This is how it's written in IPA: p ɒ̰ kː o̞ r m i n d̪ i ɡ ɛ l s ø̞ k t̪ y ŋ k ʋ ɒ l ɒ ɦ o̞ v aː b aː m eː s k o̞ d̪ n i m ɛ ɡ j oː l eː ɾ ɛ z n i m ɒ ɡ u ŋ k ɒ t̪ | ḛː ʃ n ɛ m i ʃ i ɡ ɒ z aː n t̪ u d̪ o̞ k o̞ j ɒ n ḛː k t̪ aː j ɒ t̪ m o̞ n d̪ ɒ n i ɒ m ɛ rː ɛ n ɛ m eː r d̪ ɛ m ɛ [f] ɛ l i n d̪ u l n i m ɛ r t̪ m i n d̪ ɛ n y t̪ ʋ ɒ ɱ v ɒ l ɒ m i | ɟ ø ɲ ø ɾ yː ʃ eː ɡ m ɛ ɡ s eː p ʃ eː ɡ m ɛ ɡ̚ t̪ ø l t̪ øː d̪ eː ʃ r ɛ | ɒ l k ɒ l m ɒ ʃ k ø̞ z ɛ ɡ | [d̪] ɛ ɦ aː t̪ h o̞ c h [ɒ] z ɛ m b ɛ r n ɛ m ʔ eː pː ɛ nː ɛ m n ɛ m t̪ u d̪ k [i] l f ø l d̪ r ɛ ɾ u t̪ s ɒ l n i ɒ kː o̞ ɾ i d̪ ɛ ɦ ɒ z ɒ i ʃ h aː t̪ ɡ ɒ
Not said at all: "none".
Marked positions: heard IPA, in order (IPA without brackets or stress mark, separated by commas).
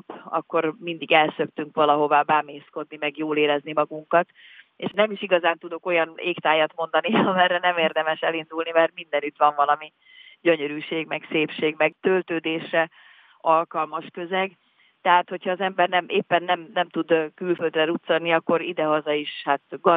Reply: ʃ, t̪, ɒː, y